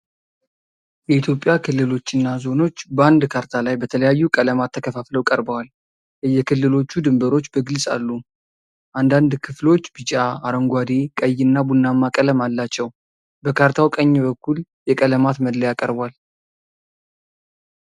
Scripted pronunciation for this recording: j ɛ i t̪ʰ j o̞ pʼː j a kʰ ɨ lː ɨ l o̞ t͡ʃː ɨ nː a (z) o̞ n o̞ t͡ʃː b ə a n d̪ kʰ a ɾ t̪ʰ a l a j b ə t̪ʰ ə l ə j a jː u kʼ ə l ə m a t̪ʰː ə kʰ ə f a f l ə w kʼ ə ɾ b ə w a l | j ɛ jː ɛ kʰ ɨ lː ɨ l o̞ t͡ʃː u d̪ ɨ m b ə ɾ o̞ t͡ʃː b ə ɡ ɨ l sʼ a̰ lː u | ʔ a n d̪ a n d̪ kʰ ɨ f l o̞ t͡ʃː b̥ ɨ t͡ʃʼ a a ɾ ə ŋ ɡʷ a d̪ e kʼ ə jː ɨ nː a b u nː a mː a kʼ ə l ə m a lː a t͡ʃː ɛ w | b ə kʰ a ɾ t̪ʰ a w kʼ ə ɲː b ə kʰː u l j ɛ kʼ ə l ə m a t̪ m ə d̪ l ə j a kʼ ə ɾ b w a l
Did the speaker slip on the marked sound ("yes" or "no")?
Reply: no